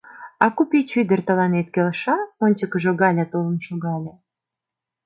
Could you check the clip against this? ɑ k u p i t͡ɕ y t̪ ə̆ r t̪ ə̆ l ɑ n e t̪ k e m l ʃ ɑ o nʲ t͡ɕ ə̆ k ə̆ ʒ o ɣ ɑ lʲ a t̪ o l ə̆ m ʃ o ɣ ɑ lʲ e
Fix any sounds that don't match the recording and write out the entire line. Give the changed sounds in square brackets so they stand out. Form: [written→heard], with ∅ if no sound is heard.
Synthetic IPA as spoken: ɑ k u p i t͡ɕ y [t̪→d̪] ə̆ r t̪ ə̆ l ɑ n e t̪ k e [m→∅] l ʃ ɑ o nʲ t͡ɕ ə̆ k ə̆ ʒ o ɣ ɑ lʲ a t̪ o l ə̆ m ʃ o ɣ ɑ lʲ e